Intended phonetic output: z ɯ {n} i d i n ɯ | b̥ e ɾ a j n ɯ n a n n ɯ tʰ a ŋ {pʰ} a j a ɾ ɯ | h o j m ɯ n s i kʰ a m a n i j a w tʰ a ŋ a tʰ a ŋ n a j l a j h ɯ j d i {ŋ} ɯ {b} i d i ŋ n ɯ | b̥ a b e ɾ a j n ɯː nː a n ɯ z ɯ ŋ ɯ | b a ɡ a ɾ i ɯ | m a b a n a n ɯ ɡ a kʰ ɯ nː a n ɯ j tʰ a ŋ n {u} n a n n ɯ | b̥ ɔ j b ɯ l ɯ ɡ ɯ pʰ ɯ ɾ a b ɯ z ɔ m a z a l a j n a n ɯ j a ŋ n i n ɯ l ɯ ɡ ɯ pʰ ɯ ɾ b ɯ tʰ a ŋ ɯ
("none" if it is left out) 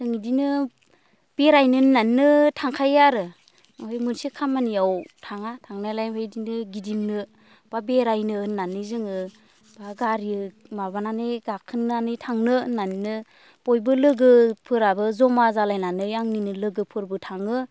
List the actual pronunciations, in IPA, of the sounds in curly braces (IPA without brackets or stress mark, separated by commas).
ŋ, kʰ, n, ɡ, ɯ